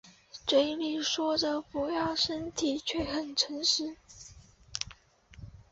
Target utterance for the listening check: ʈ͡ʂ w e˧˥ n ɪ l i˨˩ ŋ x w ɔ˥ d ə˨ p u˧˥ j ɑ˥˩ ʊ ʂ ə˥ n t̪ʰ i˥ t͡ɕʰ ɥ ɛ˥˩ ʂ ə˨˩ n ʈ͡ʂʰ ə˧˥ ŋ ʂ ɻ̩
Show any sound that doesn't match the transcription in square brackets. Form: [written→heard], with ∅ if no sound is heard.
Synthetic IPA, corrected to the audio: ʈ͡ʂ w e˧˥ [n→∅] ɪ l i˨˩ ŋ [x→ʂ] w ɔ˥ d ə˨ p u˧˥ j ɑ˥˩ ʊ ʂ ə˥ n t̪ʰ [i˥→i˨˩] t͡ɕʰ ɥ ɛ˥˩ [ʂ→x] ə˨˩ n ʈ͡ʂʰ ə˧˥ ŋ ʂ ɻ̩